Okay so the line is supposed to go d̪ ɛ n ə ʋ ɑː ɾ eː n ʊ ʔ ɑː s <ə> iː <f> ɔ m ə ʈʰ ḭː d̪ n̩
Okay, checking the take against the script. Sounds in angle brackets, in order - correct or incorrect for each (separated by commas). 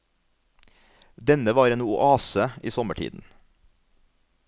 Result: correct, incorrect